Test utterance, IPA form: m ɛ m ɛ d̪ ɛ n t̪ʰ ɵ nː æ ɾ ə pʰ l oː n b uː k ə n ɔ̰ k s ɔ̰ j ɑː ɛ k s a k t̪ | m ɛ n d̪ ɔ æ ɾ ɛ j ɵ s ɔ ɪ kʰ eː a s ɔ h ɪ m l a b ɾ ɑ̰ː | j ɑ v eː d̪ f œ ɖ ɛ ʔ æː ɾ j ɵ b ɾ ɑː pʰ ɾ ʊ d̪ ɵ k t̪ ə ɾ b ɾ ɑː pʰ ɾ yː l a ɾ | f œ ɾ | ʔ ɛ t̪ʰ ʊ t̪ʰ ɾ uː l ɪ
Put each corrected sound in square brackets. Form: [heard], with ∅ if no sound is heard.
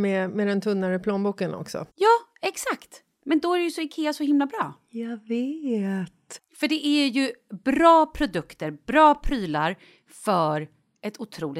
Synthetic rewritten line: m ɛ m ɛ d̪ ɛ n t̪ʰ ɵ nː [a] ɾ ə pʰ l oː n b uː k ə n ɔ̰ k s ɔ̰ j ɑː ɛ k s a k t̪ | m ɛ n d̪ ɔ æ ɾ ɛ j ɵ s ɔ ɪ kʰ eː a s ɔ h ɪ m l a b ɾ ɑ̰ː | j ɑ v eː [t̪] f œ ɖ ɛ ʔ [æ] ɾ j ɵ b ɾ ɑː pʰ ɾ ʊ d̪ ɵ k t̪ ə ɾ b ɾ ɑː pʰ ɾ yː l a ɾ | f œ ɾ | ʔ ɛ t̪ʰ ʊ t̪ʰ ɾ uː l ɪ